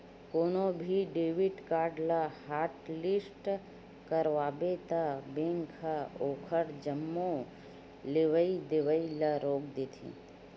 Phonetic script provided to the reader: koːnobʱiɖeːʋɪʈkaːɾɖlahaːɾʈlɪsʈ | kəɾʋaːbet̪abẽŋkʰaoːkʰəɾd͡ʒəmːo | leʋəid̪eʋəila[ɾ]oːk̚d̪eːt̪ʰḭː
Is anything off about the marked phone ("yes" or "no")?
no